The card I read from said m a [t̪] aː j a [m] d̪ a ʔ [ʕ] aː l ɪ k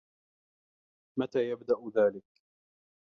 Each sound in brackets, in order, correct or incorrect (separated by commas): correct, incorrect, incorrect